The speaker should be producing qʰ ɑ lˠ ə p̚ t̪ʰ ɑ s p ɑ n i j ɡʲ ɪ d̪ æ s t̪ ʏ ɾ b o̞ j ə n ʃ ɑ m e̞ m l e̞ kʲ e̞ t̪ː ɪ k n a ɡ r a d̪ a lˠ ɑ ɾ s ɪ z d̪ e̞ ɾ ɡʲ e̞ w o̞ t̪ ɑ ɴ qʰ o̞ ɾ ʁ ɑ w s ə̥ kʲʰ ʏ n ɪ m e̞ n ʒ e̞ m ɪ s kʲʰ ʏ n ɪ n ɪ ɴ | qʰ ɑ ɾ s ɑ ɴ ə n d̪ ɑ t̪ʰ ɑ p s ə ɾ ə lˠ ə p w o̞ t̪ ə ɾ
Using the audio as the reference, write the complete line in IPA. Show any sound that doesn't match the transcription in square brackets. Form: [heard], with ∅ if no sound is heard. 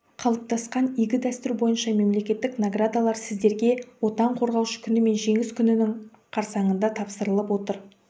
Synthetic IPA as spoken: qʰ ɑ lˠ ə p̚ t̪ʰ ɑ s [q] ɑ n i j ɡʲ ɪ d̪ æ s t̪ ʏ ɾ b o̞ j ə n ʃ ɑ m e̞ m l e̞ kʲ e̞ t̪ː ɪ k n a ɡ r a d̪ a lˠ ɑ ɾ s ɪ z d̪ e̞ ɾ ɡʲ e̞ w o̞ t̪ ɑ ɴ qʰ o̞ ɾ ʁ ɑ w [ʃ] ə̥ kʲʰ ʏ n ɪ m e̞ n ʒ e̞ [ŋ] ɪ s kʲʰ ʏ n ɪ n ɪ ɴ | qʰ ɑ ɾ s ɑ ɴ ə n d̪ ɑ t̪ʰ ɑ p s ə ɾ ə lˠ ə p w o̞ t̪ ə ɾ